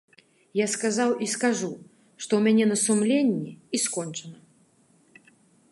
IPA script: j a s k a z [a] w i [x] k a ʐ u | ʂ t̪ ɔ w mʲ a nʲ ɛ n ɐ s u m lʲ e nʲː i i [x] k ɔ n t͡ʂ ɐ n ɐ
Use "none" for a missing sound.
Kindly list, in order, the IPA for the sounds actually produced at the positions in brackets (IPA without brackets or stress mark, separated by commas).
a, s, s